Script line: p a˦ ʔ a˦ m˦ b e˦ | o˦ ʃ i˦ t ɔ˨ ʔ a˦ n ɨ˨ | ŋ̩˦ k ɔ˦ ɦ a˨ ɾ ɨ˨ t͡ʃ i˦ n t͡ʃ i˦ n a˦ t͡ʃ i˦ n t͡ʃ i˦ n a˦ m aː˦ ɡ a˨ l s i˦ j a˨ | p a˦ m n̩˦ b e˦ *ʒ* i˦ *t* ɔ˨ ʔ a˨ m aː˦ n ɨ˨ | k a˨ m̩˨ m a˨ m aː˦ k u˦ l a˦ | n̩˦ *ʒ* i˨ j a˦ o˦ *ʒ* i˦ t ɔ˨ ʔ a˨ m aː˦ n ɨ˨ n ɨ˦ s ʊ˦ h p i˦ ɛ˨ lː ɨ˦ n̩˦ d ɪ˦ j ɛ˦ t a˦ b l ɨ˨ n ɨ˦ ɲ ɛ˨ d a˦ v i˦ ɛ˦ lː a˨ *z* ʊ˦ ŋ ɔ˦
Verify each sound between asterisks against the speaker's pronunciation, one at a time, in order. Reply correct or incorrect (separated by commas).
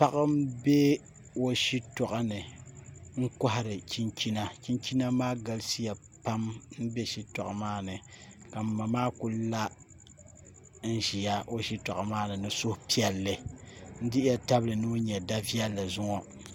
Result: incorrect, correct, correct, incorrect, correct